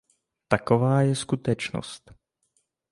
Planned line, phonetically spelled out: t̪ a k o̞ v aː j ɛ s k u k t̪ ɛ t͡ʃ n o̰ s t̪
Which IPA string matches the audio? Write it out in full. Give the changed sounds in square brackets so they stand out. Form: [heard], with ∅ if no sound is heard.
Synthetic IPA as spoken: t̪ a k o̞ v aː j ɛ s k u [∅] t̪ ɛ t͡ʃ n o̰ s t̪